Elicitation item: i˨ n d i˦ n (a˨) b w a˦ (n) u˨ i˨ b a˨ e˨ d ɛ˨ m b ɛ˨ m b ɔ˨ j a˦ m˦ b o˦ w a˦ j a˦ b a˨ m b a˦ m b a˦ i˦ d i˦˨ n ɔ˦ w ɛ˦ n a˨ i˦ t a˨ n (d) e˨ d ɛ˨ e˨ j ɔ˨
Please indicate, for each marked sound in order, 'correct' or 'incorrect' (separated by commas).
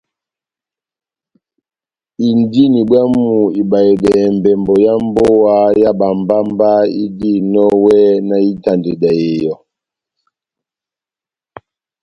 incorrect, incorrect, correct